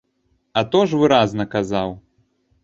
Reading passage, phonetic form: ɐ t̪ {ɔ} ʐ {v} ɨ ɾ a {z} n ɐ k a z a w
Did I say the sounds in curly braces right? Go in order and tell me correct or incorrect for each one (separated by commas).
correct, correct, correct